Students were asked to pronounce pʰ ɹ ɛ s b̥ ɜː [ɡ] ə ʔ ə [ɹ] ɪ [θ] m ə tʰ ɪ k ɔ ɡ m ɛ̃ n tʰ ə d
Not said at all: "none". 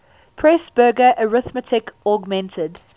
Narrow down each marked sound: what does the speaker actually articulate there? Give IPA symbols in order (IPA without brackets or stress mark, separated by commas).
ɡ, ɹ, θ